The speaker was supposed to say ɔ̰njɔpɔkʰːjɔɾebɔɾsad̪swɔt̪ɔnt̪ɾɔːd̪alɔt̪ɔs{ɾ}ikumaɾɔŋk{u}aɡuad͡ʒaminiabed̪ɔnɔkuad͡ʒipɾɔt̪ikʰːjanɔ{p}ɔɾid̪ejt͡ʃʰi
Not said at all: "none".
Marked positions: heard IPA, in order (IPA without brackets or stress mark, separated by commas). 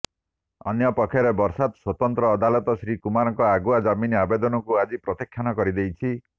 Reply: ɾ, ɔ, k